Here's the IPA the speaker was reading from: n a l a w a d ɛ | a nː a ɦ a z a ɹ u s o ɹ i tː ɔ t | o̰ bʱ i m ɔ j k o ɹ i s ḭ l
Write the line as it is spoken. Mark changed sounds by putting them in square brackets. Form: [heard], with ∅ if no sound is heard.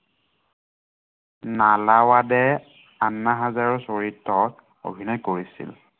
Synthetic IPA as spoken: n a l a w a d ɛ | a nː a ɦ a z a ɹ [ɔ] s o ɹ i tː ɔ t | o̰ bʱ i [n] ɔ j k o ɹ i s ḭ l